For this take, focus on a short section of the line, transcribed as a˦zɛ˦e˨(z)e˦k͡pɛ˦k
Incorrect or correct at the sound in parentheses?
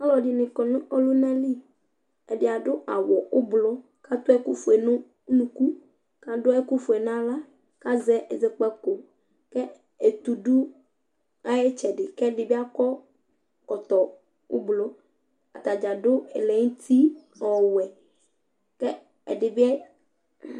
correct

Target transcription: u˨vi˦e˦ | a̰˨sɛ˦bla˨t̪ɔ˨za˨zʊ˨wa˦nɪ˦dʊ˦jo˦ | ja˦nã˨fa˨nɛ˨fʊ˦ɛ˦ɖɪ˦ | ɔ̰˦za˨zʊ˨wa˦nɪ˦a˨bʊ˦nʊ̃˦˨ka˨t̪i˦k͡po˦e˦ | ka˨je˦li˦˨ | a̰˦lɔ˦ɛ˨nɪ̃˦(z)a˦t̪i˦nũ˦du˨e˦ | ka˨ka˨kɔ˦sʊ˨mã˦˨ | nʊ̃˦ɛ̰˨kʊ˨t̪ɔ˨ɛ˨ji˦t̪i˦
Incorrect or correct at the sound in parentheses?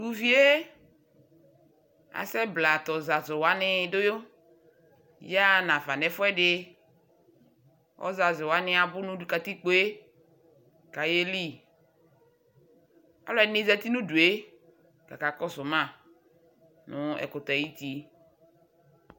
correct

